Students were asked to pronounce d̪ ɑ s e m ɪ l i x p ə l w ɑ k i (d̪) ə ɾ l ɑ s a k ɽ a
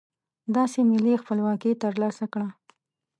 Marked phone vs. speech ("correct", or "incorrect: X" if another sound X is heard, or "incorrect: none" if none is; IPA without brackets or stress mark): incorrect: t̪